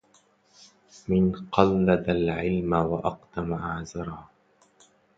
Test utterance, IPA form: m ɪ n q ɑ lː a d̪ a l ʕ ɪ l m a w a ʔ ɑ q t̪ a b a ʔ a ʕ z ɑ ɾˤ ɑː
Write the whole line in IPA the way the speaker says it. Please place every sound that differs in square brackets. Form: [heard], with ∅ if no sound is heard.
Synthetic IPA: m ɪ n q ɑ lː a d̪ a l ʕ ɪ l m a w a ʔ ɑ q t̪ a [m] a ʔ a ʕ z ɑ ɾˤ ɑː